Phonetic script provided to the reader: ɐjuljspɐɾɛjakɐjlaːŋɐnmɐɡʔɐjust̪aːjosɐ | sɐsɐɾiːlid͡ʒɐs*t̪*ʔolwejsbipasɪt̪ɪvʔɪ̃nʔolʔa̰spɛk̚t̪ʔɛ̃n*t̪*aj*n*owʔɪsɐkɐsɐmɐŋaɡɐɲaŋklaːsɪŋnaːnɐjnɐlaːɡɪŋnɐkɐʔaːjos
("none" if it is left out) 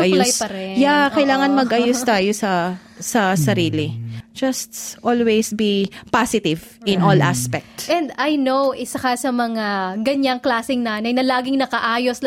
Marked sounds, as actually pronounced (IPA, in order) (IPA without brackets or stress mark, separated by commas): t̪, d̪, n